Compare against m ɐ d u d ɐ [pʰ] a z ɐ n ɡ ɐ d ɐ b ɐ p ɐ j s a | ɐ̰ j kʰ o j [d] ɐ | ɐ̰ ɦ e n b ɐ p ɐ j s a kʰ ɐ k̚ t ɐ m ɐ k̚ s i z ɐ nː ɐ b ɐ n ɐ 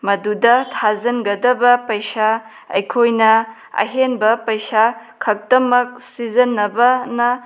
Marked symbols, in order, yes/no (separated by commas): no, no